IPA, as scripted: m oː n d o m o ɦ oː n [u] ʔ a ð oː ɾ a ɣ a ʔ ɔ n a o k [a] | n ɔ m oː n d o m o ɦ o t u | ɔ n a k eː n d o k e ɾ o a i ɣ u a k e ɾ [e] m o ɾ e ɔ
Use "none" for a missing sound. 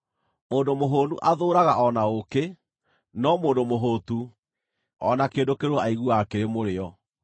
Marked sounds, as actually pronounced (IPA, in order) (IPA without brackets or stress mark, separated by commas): u, e, e